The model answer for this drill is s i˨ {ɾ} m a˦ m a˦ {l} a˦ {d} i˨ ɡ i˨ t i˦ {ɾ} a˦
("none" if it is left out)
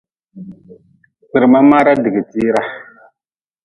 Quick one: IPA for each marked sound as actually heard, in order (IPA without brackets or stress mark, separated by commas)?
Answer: ɾ, ɾ, d, ɾ